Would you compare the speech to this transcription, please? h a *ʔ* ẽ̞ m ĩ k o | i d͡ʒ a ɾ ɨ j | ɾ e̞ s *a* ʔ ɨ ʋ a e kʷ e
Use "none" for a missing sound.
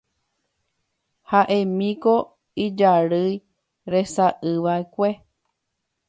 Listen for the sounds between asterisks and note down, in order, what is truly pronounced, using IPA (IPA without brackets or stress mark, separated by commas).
ʔ, a